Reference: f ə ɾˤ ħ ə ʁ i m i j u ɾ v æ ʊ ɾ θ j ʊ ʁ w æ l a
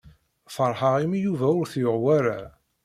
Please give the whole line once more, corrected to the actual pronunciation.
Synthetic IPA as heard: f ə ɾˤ ħ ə ʁ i m i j u v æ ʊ ɾ θ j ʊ ʁ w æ ɾ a